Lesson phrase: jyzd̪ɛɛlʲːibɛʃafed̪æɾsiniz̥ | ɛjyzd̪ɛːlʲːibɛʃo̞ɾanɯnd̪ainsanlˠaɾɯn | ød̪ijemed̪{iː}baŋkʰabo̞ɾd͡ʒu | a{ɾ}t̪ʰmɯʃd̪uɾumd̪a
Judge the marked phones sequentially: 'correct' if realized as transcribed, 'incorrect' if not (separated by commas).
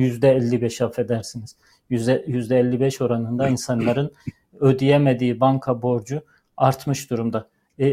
correct, correct